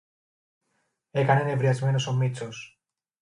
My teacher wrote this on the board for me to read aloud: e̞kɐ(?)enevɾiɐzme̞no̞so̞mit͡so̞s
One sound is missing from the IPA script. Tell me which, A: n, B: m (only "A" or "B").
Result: A